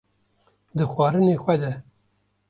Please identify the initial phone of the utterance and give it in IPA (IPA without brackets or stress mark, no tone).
d̪